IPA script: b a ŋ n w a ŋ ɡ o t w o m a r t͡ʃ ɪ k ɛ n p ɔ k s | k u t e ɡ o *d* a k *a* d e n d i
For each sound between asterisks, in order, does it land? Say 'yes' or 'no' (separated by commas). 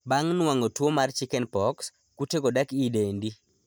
yes, no